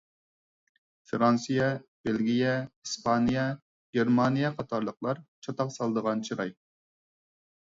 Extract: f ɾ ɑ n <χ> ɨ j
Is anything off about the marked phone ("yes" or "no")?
yes